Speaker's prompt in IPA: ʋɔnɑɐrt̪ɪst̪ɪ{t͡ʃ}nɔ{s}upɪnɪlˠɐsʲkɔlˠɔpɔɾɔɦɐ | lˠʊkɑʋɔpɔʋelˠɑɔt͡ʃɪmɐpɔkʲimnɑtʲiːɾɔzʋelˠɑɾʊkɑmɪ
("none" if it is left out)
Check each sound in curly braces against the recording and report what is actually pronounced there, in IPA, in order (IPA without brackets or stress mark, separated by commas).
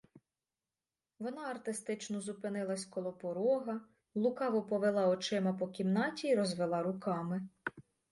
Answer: t͡ʃ, z